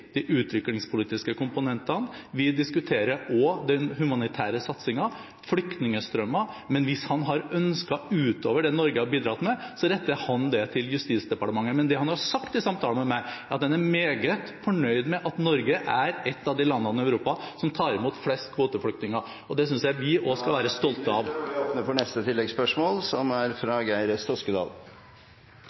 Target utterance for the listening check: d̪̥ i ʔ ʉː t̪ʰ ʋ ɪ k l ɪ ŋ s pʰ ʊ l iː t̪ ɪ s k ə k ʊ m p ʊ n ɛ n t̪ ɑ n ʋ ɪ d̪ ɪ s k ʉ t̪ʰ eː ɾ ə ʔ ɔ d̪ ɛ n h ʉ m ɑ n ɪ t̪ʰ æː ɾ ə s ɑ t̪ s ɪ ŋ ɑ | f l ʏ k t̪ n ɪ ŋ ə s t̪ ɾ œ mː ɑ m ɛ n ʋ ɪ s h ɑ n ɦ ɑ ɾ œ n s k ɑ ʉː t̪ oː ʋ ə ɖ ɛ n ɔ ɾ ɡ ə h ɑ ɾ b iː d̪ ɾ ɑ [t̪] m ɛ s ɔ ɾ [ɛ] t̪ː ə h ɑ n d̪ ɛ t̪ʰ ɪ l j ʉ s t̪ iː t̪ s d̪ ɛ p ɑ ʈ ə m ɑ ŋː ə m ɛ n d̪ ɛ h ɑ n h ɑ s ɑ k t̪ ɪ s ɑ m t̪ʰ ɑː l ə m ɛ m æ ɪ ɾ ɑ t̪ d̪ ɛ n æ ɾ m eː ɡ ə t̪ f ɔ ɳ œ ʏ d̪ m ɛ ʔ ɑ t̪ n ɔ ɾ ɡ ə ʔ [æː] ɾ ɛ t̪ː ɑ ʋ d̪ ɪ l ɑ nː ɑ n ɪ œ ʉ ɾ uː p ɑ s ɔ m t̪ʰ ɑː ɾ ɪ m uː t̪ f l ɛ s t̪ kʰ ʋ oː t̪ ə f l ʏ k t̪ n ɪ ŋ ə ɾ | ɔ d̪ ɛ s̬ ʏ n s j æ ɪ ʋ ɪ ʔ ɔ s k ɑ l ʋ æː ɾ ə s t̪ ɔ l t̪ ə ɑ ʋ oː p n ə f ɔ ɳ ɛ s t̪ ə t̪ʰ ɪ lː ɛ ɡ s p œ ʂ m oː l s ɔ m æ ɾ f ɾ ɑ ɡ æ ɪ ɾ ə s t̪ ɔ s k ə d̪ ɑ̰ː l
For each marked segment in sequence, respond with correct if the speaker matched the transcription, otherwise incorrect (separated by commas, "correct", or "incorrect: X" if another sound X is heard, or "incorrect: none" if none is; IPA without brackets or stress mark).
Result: correct, correct, incorrect: æ